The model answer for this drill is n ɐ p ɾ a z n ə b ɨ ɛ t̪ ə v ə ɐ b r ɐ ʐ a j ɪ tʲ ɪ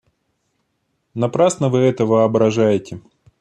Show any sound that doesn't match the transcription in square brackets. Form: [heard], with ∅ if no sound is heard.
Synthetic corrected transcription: n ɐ p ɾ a [s] n ə [v] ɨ ɛ t̪ ə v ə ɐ b [ɾ] ɐ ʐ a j ɪ tʲ ɪ